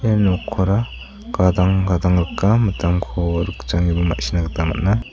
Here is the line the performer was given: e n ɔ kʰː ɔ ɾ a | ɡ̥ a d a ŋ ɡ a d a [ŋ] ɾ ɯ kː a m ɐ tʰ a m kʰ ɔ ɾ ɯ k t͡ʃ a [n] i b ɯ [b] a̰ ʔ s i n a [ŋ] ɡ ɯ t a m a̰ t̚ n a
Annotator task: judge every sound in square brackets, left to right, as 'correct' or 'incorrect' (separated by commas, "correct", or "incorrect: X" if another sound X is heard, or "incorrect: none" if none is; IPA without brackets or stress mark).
correct, incorrect: ŋ, incorrect: m, incorrect: none